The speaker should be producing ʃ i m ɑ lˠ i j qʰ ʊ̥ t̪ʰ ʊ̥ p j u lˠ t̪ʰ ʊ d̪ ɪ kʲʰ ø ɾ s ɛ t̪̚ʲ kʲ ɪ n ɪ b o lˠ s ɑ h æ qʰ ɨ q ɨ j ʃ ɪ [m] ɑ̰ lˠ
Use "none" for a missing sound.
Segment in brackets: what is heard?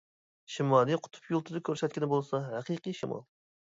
m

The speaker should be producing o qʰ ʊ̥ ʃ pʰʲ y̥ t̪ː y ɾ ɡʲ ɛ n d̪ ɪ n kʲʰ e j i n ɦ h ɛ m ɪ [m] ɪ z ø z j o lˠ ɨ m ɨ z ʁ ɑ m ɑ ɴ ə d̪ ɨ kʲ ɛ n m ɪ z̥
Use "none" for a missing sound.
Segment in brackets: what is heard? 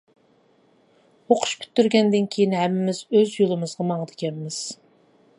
m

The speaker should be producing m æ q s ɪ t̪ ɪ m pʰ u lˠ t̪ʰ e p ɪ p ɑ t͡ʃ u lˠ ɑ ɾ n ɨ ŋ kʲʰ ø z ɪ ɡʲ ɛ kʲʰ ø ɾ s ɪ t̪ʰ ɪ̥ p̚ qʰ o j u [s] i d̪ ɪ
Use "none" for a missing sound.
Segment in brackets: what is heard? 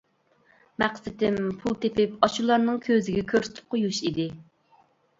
ʃ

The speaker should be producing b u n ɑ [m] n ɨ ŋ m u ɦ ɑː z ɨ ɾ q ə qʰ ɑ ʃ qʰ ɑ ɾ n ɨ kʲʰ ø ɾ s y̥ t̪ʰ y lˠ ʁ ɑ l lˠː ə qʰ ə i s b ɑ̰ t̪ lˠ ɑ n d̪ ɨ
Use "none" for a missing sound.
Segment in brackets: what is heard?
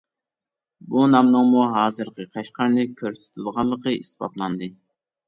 m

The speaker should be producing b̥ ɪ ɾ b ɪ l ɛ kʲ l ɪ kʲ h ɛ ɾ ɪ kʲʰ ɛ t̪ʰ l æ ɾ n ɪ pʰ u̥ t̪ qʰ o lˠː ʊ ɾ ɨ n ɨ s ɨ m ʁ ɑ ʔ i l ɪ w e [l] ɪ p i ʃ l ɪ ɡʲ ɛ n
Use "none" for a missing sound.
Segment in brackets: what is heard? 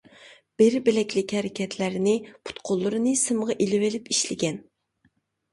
l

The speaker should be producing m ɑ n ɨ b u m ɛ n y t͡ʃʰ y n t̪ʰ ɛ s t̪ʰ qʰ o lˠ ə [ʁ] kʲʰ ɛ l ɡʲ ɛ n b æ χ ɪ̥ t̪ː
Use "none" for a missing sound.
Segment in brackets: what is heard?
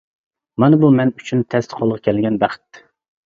ʁ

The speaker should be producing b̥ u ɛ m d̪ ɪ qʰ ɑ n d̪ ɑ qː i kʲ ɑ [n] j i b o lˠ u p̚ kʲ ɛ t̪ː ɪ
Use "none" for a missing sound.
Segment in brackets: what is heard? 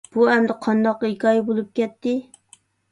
none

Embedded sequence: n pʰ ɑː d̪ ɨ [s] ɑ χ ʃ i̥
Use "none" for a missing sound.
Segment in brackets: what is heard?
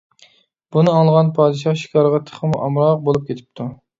ʃ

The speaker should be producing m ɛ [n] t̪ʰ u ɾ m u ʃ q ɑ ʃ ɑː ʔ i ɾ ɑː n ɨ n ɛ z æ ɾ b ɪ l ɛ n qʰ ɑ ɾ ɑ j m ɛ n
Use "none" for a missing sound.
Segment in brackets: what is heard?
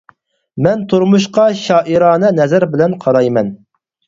n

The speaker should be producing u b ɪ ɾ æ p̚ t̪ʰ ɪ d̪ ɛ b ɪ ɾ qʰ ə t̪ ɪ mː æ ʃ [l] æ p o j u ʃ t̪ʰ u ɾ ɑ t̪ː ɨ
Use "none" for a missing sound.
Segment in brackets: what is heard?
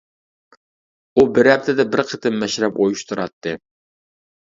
ɾ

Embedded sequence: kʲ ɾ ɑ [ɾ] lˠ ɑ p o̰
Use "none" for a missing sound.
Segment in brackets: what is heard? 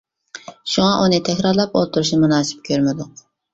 ɾ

